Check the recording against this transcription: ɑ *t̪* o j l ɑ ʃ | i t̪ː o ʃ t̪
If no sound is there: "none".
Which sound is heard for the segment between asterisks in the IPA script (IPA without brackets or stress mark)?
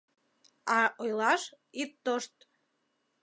none